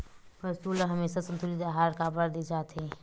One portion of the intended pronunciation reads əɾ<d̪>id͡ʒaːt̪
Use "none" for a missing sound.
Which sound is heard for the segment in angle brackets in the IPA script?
d̪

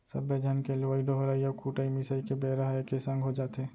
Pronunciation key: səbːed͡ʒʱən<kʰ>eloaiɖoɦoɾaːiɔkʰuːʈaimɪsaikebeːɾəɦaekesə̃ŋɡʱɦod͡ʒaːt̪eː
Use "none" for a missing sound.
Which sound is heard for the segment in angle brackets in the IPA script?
k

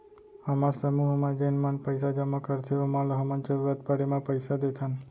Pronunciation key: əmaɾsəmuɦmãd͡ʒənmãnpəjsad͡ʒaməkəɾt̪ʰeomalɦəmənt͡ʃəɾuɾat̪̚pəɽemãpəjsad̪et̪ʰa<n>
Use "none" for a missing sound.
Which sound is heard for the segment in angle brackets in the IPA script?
n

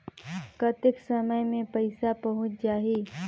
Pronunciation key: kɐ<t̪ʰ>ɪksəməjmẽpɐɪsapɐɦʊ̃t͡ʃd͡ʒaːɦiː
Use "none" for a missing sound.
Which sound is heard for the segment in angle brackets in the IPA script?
t̪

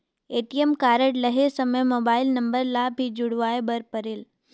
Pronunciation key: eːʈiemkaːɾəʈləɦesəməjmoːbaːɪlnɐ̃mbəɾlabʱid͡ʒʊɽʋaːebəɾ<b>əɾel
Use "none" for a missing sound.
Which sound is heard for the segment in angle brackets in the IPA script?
p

